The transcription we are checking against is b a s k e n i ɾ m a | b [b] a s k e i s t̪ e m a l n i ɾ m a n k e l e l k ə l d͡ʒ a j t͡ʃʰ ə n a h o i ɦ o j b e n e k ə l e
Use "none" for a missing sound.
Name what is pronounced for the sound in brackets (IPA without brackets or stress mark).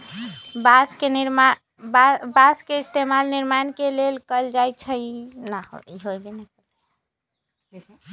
b